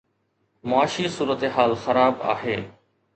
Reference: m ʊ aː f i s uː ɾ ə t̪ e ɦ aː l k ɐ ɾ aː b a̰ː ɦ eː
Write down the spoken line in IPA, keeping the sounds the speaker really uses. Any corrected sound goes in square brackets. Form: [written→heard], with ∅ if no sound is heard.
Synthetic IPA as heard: m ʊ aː [f→ʃ] i s uː ɾ ə t̪ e ɦ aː l [k→x] ɐ ɾ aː b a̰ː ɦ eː